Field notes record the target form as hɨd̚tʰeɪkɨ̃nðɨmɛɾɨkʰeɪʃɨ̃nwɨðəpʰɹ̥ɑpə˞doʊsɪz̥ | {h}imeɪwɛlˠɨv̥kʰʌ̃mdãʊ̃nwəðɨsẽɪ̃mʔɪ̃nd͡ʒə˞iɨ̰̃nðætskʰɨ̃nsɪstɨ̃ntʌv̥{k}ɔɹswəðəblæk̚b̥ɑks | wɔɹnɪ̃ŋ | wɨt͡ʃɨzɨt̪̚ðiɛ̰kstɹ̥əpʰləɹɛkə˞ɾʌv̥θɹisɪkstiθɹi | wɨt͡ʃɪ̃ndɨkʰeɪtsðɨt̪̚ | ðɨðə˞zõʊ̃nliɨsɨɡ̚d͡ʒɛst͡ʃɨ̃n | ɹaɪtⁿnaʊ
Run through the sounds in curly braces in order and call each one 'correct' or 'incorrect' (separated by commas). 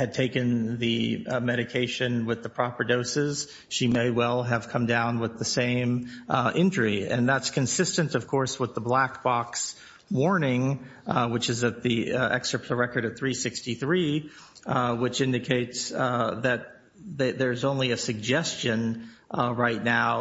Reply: incorrect, incorrect